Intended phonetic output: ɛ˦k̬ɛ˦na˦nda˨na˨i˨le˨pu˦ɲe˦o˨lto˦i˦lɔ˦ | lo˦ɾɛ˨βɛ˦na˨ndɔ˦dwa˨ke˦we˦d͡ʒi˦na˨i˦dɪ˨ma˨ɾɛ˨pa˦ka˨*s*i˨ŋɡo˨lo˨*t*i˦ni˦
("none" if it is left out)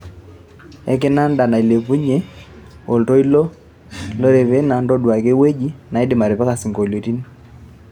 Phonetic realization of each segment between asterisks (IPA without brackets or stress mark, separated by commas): s, t